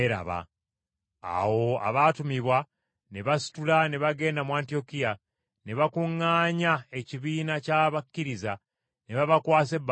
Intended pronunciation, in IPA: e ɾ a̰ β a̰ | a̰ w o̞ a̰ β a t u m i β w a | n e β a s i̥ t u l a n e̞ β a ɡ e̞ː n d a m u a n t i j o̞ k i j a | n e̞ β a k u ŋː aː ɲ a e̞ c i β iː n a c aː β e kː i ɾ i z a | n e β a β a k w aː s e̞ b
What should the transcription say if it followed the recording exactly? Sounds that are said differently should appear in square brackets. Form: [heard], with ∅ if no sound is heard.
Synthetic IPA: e ɾ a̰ β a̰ | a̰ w o̞ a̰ β a t u m i β w a | n e β a s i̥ t u l a n e̞ β a ɡ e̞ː n d a m u a n t i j o̞ k i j a | n e̞ β a k u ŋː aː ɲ a e̞ c i β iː n a c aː β [a] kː i ɾ i z a | n e β a β a k w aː s e̞ b